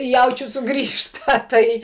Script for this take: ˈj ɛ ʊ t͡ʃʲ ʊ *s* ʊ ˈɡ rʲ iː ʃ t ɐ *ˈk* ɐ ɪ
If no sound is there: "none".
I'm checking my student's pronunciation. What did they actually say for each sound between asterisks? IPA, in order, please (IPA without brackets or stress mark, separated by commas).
s, t